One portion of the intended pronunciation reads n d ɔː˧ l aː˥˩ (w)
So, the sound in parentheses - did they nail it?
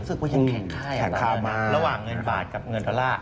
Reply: no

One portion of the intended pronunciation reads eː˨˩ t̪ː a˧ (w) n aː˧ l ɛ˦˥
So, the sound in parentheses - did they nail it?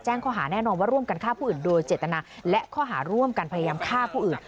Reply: no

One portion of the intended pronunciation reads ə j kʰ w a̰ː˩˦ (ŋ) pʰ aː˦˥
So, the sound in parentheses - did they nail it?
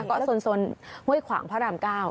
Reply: yes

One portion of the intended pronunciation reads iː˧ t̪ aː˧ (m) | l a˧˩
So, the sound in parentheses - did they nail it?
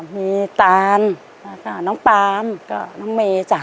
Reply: no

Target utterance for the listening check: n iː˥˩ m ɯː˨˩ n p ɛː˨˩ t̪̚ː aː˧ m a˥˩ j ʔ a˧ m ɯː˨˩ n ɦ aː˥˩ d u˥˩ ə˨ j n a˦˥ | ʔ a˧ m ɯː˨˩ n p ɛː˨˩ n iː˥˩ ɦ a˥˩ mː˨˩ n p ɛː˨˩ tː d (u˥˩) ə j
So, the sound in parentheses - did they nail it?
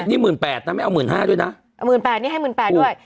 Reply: yes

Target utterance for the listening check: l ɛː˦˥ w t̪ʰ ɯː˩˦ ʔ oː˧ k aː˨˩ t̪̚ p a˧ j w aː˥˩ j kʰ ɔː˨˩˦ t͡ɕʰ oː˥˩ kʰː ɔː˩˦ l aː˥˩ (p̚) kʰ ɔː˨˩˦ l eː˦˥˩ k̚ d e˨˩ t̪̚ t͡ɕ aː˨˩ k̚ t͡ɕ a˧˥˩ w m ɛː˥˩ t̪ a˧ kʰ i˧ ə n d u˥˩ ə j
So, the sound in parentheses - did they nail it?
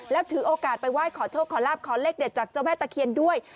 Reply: yes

